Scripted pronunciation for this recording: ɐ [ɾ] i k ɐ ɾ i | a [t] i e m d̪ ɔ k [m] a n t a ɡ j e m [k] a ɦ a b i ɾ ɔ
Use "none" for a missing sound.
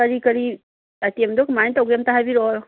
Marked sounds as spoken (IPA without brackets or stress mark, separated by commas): ɾ, t, m, t